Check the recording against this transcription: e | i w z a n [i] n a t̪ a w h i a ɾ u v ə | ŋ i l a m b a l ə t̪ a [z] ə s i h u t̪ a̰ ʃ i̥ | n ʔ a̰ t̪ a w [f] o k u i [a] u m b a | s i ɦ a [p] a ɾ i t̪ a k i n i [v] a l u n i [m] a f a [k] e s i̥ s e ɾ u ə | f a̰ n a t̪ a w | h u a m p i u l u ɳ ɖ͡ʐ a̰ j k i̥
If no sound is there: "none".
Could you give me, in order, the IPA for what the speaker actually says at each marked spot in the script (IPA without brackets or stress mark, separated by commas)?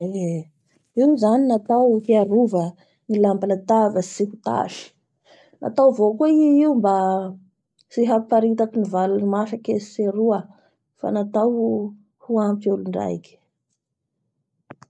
i, v, v, i, p, v, m, k